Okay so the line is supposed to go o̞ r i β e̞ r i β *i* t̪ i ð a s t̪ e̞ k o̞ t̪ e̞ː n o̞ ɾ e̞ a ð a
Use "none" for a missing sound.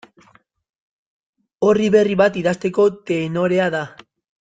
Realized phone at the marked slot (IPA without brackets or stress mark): a